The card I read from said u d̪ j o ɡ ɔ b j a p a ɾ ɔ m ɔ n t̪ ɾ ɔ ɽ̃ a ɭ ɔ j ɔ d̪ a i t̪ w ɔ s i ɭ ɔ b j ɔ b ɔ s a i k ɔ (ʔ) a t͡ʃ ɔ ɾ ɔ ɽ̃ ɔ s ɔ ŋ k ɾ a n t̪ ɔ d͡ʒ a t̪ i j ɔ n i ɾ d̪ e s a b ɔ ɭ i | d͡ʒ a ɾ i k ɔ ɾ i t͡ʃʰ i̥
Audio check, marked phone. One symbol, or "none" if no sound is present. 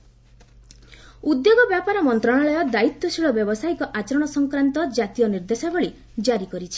ʔ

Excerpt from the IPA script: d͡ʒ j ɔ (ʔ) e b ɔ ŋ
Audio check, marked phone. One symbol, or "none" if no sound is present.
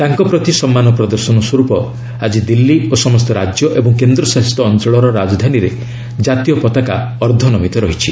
ʔ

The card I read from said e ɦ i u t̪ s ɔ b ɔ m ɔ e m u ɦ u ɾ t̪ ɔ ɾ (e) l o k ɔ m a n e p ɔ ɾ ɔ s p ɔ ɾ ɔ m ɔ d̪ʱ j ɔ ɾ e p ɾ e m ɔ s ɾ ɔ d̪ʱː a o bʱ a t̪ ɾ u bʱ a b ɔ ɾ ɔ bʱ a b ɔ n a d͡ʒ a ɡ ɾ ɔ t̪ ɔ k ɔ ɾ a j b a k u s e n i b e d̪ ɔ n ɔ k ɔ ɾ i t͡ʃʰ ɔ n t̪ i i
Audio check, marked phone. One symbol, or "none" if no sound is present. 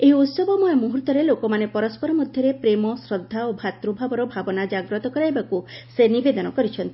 e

